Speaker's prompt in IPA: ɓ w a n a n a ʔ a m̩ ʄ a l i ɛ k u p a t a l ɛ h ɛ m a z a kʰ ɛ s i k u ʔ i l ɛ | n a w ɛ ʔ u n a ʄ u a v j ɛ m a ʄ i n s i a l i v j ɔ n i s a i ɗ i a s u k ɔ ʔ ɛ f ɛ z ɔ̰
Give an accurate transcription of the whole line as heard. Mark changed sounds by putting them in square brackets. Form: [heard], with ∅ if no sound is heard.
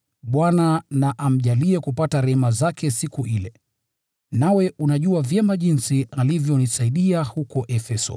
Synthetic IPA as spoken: ɓ w a n a n a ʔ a m̩ ʄ a l i ɛ k u p a t a [ɾ] ɛ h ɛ m a z a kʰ ɛ s i k u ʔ i l ɛ | n a w ɛ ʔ u n a ʄ u a v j ɛ m a ʄ i n s i a l i v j ɔ n i s a i ɗ i a [h] u k ɔ ʔ ɛ f ɛ [s] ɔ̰

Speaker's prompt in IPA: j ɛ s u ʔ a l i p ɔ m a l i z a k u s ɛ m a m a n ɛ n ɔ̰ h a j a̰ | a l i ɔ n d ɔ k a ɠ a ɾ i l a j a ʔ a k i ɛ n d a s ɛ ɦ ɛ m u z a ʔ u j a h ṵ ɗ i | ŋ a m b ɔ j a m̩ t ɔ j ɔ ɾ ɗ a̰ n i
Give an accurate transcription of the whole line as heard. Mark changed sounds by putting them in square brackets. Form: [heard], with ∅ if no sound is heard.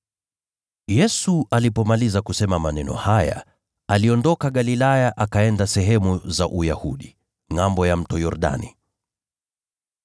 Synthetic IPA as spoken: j ɛ s u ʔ a l i p ɔ m a l i z a k u s ɛ m a m a n ɛ n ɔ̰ h a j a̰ | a l i ɔ n d ɔ k a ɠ a [l] i l a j a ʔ a k [a] ɛ n d a s ɛ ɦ ɛ m u z a ʔ u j a h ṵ ɗ i | ŋ a m b ɔ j a m̩ t ɔ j ɔ ɾ ɗ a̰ n i

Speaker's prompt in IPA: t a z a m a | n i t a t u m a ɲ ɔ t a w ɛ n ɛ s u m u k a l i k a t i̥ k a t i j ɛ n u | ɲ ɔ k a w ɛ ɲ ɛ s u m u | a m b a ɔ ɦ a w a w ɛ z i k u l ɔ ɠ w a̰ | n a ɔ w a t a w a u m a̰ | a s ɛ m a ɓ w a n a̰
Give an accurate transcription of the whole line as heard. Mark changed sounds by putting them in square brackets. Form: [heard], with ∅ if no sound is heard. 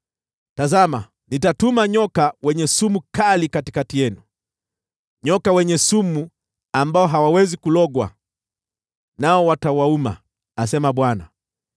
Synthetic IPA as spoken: t a z a m a | n i t a t u m a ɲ ɔ [k] a w ɛ [ɲ] ɛ s u m u k a l i k a t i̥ k a t i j ɛ n u | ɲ ɔ k a w ɛ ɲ ɛ s u m u | a m b a ɔ ɦ a w a w ɛ z i k u l ɔ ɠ w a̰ | n a ɔ w a t a w a u m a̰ | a s ɛ m a ɓ w a n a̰

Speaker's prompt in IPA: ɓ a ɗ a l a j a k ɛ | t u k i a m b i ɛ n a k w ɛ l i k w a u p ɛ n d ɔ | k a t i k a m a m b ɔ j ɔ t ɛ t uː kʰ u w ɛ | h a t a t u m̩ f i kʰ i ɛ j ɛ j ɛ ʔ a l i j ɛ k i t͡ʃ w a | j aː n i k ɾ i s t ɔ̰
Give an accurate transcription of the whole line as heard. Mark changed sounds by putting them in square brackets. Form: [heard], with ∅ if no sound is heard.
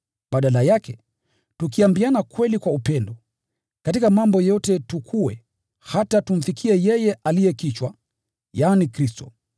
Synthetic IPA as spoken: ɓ a ɗ a l a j a k ɛ | t u k i a m b i [a] n a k w ɛ l i k w a u p ɛ n d ɔ | k a t i k a m a m b ɔ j ɔ t ɛ t [u] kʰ u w ɛ | h a t a t u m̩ f i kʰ i ɛ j ɛ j ɛ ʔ a l i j ɛ k i t͡ʃ w a | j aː n i k ɾ i s t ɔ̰

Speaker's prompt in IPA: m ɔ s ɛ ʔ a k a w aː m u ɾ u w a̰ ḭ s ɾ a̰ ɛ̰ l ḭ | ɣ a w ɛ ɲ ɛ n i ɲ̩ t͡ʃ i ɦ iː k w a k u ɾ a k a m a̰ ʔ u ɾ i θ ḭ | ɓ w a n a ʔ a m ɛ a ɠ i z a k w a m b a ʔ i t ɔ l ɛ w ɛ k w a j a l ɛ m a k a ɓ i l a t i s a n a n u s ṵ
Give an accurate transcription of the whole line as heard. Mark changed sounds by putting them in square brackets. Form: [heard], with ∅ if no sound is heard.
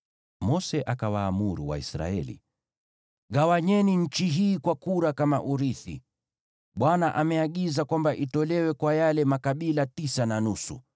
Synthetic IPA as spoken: m ɔ s ɛ ʔ a k a w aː m u ɾ u w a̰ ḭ s ɾ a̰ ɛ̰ l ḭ | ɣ a w [a] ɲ ɛ n i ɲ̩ t͡ʃ i ɦ iː k w a k u ɾ a k a m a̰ ʔ u ɾ i θ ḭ | ɓ w a n a ʔ a m ɛ a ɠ i z a k w a m b a ʔ i t ɔ l ɛ w ɛ k w a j a l ɛ m a k a ɓ i l a t i s a n a n u s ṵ

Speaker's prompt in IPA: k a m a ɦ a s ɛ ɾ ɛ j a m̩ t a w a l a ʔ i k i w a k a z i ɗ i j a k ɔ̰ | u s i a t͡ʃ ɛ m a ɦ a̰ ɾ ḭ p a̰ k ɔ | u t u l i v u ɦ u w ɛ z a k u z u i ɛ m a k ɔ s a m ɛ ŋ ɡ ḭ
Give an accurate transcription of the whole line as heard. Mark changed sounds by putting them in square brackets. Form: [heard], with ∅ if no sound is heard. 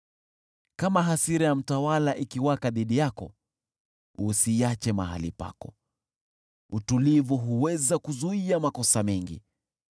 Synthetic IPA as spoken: k a m a ɦ a s [i] ɾ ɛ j a m̩ t a w a l a ʔ i k i w a k a [ð] i ɗ i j a k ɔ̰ | u s i a t͡ʃ ɛ m a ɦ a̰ [l] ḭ p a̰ k ɔ | u t u l i v u ɦ u w ɛ z a k u z u i [a] m a k ɔ s a m ɛ ŋ ɡ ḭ

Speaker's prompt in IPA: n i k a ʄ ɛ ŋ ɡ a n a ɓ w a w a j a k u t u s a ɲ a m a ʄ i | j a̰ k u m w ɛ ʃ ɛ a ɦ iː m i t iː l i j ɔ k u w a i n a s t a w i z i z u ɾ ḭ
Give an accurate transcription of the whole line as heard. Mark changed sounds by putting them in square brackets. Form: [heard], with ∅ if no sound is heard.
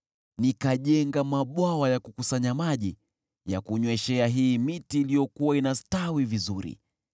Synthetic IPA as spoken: n i k a ʄ ɛ ŋ ɡ a [m] a ɓ w a w a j a k u [k] u s a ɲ a m a ʄ i | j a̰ k u [ɲ] w ɛ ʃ ɛ a ɦ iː m i t iː l i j ɔ k u w a i n a s t a w i [v] i z u ɾ ḭ

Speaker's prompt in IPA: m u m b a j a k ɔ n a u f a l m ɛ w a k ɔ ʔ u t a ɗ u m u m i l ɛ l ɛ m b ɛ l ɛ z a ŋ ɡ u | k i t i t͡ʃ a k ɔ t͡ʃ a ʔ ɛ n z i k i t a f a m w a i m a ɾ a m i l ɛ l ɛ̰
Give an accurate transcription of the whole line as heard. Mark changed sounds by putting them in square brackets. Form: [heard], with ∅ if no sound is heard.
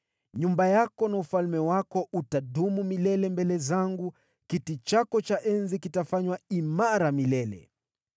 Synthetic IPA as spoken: [ɲ] u m b a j a k ɔ n a u f a l m ɛ w a k ɔ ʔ u t a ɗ u m u m i l ɛ l ɛ m b ɛ l ɛ z a ŋ ɡ u | k i t i t͡ʃ a k ɔ t͡ʃ a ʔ ɛ n z i k i t a f a [ɲ] w a i m a ɾ a m i l ɛ l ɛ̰

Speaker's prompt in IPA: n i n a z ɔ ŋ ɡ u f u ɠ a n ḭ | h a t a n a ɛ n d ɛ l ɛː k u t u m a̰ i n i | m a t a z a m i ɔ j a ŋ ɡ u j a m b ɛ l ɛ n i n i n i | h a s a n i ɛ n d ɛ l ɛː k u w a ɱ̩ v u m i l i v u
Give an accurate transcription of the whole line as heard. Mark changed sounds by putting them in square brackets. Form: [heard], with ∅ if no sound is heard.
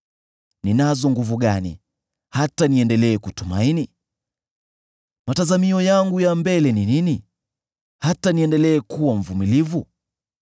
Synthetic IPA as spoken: n i n a z ɔ ŋ ɡ u [v] u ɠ a n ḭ | h a t a n [i] ɛ n d ɛ l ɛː k u t u m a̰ i n i | m a t a z a m i ɔ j a ŋ ɡ u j a m b ɛ l ɛ n i n i n i | h a [t] a n i ɛ n d ɛ l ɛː k u w a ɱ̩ v u m i l i v u

